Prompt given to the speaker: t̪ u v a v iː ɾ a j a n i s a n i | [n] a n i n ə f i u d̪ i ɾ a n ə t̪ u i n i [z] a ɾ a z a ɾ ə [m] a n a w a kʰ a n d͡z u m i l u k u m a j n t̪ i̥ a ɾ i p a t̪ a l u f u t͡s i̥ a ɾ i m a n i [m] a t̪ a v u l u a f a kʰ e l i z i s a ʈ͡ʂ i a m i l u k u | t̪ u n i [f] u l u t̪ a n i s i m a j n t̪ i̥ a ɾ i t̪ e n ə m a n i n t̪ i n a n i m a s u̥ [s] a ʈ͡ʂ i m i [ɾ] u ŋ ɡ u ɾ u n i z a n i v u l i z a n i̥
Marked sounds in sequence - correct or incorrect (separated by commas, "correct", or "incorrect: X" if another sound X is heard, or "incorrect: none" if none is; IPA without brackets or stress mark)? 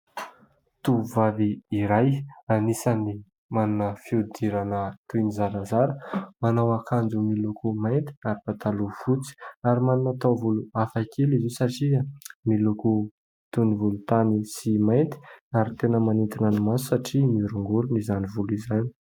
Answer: incorrect: m, correct, correct, incorrect: n, incorrect: v, correct, correct